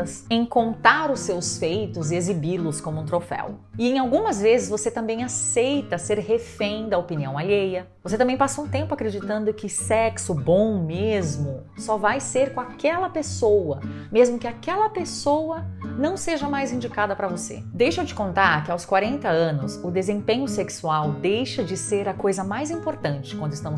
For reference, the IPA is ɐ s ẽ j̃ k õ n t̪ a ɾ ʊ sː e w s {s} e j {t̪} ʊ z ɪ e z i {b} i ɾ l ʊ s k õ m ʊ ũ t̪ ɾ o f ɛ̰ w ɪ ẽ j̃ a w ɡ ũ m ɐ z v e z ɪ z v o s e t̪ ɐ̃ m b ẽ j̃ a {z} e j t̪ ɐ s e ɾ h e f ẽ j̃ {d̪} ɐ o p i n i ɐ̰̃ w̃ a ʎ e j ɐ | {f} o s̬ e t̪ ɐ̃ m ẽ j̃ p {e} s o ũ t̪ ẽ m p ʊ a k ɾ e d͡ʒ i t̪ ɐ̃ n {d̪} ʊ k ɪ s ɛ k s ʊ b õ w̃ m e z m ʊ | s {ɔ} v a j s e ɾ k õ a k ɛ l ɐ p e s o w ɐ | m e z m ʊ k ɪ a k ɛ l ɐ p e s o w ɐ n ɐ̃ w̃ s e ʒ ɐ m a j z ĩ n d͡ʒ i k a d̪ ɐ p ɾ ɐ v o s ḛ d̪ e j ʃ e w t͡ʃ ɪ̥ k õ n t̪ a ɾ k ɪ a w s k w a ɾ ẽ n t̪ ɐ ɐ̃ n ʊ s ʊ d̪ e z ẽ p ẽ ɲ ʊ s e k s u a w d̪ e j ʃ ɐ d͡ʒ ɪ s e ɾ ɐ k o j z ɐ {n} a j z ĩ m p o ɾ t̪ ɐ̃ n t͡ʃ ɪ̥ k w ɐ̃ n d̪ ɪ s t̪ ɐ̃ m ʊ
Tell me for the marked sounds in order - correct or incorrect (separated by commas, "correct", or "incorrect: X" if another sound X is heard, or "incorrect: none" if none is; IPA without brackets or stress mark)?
incorrect: f, correct, correct, incorrect: s, correct, incorrect: v, incorrect: a, correct, correct, incorrect: m